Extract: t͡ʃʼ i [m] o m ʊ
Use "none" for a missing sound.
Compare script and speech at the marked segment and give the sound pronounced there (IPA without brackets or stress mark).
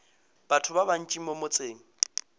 m